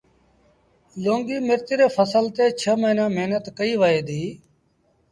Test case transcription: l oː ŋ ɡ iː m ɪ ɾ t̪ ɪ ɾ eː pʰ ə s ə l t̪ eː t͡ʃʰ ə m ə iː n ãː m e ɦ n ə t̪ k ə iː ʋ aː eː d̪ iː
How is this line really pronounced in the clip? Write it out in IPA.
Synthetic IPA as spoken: l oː ŋ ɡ iː m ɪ ɾ t̪ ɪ ɾ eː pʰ ə s ə l t̪ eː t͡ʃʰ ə m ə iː n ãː m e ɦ n ə t̪ k ə iː ʋ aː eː d̪ iː

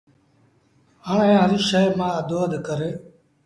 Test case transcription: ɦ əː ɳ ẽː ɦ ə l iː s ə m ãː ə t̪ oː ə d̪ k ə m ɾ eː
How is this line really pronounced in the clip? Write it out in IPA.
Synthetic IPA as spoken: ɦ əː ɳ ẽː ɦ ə ɾ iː ʃ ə m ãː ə d̪ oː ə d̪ k ə ɾ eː

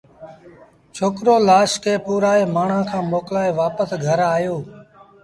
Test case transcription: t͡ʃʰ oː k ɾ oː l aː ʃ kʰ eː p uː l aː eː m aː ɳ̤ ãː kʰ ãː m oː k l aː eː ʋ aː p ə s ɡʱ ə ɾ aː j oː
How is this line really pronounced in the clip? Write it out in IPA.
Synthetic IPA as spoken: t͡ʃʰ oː k ɾ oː l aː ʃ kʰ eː p uː ɾ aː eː m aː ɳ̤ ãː kʰ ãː m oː k l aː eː ʋ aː p ə s ɡʱ ə ɾ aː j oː

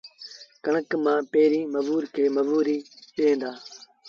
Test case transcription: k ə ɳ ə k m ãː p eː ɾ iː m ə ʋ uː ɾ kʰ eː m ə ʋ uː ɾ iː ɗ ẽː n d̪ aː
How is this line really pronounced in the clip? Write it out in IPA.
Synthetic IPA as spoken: k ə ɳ ə k m ãː p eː ɾ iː m ə ʋ uː ɾ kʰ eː m ə ʋ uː ɾ iː ɗ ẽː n d̪ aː

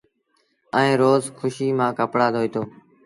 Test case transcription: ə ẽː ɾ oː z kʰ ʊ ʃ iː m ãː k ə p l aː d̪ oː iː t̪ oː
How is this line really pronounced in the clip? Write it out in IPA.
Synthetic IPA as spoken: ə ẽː ɾ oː z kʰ ʊ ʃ iː m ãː k ə p ɽ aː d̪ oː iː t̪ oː

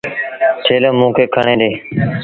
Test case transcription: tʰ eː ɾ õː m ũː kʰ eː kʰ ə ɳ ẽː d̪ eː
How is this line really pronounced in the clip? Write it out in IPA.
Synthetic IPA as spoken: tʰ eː l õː m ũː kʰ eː kʰ ə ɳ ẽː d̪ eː

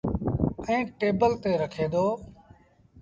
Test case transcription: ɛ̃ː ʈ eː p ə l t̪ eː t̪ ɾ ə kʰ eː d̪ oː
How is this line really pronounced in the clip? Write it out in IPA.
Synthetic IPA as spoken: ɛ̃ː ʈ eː b ə l t̪ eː ɾ ə kʰ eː d̪ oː

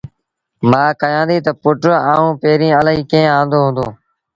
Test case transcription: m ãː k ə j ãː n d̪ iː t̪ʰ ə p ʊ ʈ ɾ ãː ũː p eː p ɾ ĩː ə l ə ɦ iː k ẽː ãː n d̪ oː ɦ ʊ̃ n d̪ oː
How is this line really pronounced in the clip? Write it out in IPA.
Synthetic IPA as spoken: m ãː k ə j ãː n d̪ iː t̪ ə p ʊ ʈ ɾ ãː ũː p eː ɾ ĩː ə l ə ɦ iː k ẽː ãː n d̪ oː ɦ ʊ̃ n d̪ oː

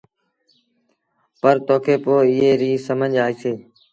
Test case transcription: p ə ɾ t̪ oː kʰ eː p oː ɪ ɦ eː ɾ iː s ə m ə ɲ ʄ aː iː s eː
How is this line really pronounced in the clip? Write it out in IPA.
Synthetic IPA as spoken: p ə ɾ t̪ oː kʰ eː p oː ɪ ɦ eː ɾ iː s ə m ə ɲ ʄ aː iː s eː

